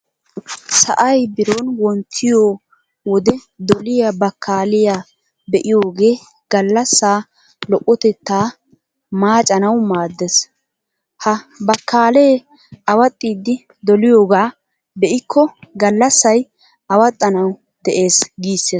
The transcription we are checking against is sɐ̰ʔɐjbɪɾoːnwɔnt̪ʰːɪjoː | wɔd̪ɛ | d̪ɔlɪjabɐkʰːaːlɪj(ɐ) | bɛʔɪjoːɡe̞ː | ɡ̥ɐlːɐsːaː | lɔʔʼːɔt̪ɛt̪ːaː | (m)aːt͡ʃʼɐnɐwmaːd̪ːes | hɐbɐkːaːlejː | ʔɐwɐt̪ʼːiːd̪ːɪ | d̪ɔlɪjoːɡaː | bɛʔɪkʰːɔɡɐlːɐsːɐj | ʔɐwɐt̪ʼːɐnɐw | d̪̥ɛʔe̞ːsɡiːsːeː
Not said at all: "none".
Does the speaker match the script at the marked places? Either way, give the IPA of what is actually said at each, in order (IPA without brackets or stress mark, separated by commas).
a, m